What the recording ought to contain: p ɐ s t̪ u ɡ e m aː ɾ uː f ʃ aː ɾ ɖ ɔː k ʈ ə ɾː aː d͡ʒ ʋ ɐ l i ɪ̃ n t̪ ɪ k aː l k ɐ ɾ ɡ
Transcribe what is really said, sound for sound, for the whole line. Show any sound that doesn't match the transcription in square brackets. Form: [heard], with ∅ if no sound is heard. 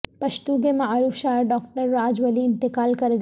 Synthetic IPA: p ɐ [ʃ] t̪ u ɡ e m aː ɾ uː f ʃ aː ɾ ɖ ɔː k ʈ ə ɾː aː d͡ʒ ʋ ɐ l i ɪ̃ n t̪ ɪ k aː l k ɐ ɾ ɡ

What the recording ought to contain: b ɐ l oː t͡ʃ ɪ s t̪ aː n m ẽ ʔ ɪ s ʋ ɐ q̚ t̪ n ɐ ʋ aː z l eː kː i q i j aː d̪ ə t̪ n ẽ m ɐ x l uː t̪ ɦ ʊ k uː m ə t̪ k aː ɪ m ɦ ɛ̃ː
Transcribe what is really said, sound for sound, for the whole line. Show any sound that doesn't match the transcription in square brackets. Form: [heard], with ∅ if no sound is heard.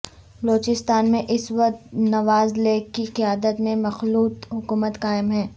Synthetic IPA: b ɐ l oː t͡ʃ ɪ s t̪ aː n m ẽ ʔ ɪ s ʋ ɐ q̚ t̪ n ɐ ʋ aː z l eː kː i q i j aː d̪ ə t̪ [m] ẽ m ɐ x l uː t̪ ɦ ʊ k uː m ə t̪ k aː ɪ m ɦ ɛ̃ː

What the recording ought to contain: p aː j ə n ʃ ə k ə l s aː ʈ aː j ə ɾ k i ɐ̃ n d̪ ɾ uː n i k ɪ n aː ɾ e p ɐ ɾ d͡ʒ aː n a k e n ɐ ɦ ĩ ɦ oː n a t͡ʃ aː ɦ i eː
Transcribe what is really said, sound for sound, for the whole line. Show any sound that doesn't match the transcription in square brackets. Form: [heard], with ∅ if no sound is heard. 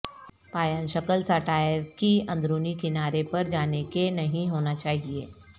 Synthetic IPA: p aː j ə n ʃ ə k ə l s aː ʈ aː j ə ɾ k i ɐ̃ n d̪ ɾ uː n i k ɪ n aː ɾ e p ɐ ɾ d͡ʒ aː n [e] k e n ɐ ɦ ĩ ɦ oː n a t͡ʃ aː ɦ i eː

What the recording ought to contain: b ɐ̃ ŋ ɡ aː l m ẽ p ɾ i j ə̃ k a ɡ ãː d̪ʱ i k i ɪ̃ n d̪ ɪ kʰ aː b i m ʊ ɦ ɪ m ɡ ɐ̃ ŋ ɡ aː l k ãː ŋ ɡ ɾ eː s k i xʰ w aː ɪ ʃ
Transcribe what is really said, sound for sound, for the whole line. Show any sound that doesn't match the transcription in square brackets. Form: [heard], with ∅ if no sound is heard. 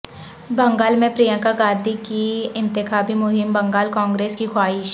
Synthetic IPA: b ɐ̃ ŋ ɡ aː l m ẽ p ɾ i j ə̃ k a ɡ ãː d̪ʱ i k i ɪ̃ n [t̪] ɪ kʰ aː b i m ʊ ɦ ɪ m [b] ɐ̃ ŋ ɡ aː l k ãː ŋ ɡ ɾ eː s k i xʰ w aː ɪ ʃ

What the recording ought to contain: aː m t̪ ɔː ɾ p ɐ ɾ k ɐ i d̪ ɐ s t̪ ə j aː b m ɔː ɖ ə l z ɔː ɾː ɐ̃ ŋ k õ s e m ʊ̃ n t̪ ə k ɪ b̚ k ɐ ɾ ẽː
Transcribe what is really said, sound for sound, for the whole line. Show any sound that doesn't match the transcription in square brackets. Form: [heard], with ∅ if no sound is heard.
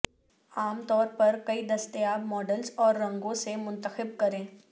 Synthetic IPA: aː m t̪ ɔː ɾ p ɐ ɾ k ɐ i d̪ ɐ s t̪ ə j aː b m ɔː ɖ ə l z ɔː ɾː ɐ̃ ŋ [ɡ] õ s e m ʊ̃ n t̪ ə [x] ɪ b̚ k ɐ ɾ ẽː

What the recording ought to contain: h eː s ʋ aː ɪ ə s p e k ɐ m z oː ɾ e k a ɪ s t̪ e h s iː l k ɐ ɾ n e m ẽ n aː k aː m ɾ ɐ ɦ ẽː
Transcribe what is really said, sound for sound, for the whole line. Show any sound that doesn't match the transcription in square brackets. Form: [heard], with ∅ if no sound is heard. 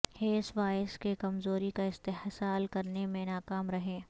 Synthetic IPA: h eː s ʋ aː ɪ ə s [k] e k ɐ m z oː ɾ [i] k a ɪ s t̪ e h s [aː] l k ɐ ɾ n e m ẽ n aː k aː m ɾ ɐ ɦ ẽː

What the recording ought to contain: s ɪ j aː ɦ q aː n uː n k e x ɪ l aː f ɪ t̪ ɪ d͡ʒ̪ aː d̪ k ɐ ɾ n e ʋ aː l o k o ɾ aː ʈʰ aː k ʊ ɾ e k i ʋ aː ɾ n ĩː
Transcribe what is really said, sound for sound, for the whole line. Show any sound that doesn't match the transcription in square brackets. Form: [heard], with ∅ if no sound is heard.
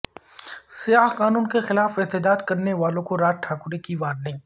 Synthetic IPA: s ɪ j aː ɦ q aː n uː n k e x ɪ l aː f ɪ t̪ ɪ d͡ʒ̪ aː d̪ k ɐ ɾ n e ʋ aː l [õ] k o ɾ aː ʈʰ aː k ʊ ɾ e k i ʋ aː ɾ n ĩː

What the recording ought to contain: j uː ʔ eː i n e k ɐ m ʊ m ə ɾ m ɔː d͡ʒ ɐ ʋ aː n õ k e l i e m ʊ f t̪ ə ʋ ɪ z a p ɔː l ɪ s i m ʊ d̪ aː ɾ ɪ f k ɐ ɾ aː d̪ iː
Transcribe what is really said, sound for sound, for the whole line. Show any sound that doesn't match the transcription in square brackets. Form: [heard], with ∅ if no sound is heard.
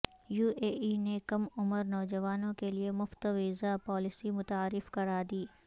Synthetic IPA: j uː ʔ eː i n e k ɐ m ʊ m ə ɾ [n] ɔː d͡ʒ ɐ ʋ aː n õ k e l i e m ʊ f t̪ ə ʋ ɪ z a p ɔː l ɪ s i m ʊ [t̪] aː ɾ ɪ f k ɐ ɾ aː d̪ iː

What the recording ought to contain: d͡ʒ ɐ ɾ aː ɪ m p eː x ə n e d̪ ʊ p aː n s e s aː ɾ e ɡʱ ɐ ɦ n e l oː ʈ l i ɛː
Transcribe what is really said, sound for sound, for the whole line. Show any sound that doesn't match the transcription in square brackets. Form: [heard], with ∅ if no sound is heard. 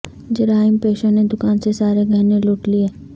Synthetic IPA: d͡ʒ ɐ ɾ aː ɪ m p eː [ʃ] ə n e d̪ ʊ [k] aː n s e s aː ɾ e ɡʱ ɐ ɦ n e l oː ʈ l i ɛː

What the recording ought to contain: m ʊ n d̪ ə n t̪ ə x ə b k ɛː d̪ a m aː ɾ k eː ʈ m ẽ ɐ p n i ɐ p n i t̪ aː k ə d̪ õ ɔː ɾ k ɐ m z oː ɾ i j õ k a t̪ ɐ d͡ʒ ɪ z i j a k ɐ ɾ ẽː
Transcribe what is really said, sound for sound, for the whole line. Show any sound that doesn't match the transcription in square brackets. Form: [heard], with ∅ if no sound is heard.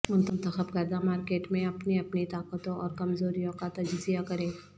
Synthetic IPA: m ʊ n [t̪] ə n t̪ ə x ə b k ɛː d̪ a m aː ɾ k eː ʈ m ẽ ɐ p n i ɐ p n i t̪ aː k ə [t̪] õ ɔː ɾ k ɐ m z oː ɾ i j õ k a t̪ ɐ d͡ʒ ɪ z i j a k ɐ ɾ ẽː

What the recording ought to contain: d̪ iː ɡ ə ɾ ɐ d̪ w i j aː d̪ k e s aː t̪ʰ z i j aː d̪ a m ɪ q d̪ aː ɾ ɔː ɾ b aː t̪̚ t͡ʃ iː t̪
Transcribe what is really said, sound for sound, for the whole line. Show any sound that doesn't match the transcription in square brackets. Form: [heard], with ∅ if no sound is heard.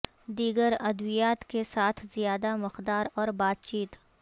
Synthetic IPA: d̪ iː ɡ ə ɾ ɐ d̪ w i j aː [t̪] k e s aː t̪ʰ z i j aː d̪ a m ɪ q d̪ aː ɾ ɔː ɾ b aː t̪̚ t͡ʃ iː t̪

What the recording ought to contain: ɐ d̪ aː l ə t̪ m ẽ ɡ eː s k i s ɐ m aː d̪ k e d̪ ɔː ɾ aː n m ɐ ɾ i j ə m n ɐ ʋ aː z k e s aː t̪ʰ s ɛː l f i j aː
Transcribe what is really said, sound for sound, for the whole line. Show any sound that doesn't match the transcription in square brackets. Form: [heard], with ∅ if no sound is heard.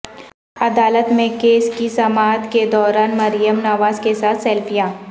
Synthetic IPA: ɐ d̪ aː l ə t̪ m ẽ [k] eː s k i s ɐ m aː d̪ k e d̪ ɔː ɾ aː n m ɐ ɾ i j ə m n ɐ ʋ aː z k e s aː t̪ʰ s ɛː l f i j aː

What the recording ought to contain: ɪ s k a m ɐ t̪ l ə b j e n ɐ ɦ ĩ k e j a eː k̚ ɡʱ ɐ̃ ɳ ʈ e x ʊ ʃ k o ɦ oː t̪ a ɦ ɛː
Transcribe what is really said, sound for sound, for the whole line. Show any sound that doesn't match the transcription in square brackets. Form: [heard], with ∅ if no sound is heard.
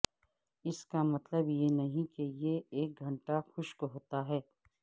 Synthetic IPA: ɪ s k a m ɐ t̪ l ə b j e n ɐ ɦ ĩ k e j [e] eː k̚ ɡʱ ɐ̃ ɳ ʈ [a] x ʊ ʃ k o ɦ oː t̪ a ɦ ɛː

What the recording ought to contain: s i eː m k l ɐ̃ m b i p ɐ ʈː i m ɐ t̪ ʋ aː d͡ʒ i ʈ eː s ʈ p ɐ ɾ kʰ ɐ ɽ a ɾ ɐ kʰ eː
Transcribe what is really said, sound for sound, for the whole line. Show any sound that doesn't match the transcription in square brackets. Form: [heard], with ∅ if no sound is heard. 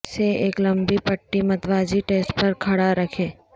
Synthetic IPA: s [e] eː [∅] k l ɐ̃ m b i p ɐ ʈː i m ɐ t̪ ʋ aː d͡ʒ i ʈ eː s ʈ p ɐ ɾ kʰ ɐ ɽ a ɾ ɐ kʰ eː

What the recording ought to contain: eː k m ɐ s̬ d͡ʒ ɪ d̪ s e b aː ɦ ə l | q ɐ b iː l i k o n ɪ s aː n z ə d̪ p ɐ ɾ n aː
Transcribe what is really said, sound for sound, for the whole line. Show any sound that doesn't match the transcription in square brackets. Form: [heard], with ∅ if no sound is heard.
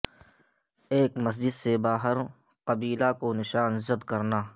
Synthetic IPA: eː k m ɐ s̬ d͡ʒ ɪ d̪ s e b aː ɦ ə [ɾ] | q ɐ b iː l [a] k o n ɪ [ʃ] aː n z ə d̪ [k] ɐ ɾ n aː

